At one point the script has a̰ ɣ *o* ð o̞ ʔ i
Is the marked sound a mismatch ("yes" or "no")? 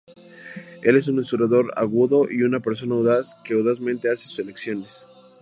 yes